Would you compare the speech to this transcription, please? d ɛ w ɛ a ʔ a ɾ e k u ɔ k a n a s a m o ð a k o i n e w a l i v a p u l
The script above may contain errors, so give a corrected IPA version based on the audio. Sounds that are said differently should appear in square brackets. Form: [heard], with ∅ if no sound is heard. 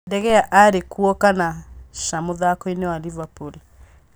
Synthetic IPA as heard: d ɛ [ɣ] ɛ a ʔ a ɾ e k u ɔ k a n a [ʃ] a m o ð a k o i n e w a l i v a p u l